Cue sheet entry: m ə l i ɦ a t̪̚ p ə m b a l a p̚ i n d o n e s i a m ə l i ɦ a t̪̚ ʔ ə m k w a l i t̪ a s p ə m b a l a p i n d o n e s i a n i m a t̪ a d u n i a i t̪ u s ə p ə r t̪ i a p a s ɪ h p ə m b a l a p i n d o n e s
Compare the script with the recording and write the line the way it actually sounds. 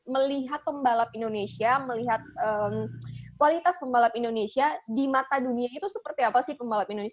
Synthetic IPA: m ə l i ɦ a t̪̚ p ə m b a l a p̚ i n d o n e s i a m ə l i ɦ a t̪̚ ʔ ə m k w a l i t̪ a s p ə m b a l a p i n d o n e s i a d i m a t̪ a d u n i a i t̪ u s ə p ə r t̪ i a p a s ɪ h p ə m b a l a p i n d o n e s